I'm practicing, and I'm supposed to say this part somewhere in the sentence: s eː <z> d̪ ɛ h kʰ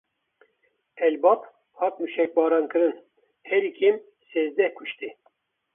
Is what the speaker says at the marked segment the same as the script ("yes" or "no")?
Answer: yes